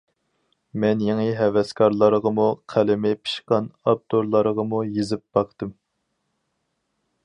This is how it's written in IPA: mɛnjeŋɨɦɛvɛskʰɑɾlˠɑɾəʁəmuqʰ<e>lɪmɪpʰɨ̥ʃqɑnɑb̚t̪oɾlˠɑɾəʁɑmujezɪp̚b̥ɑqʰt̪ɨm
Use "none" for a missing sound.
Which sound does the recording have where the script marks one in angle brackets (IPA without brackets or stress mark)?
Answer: æ